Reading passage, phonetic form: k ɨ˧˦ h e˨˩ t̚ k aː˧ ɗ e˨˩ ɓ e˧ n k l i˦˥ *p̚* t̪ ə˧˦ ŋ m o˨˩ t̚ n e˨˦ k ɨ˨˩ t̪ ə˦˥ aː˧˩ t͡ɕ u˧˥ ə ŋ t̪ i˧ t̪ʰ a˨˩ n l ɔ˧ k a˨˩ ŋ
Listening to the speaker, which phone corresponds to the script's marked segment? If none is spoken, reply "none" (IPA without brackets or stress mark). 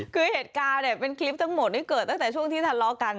p̚